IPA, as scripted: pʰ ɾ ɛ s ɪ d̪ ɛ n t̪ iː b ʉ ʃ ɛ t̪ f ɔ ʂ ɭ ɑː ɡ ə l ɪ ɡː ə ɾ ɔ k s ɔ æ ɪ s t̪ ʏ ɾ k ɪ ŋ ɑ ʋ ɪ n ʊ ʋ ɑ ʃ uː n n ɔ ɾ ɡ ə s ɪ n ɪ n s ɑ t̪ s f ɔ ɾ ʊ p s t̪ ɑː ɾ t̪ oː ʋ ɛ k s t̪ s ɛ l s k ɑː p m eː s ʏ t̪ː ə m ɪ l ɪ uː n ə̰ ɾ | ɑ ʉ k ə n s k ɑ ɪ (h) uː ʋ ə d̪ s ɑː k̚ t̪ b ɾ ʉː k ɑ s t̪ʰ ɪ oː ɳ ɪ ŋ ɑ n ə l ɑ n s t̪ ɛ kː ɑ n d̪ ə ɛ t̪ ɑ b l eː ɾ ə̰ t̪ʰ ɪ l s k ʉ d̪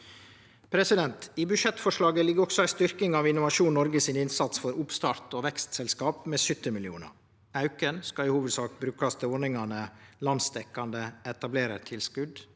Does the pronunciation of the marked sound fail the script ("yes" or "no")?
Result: no